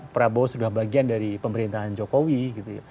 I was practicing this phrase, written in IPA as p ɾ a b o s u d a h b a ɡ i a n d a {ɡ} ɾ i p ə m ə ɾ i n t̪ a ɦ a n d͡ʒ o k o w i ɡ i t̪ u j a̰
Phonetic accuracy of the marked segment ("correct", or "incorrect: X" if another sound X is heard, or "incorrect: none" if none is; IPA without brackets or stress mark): incorrect: none